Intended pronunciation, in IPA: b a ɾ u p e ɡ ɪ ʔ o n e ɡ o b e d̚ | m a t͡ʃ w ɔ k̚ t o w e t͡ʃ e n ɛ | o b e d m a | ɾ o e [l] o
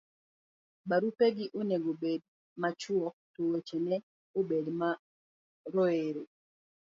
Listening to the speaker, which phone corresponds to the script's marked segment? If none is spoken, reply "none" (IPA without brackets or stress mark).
ɾ